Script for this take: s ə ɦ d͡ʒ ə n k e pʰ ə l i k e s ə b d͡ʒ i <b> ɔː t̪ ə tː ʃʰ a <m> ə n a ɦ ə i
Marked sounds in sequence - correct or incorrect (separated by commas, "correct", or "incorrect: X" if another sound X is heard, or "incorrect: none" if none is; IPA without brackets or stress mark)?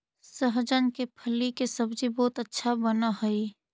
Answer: correct, incorrect: b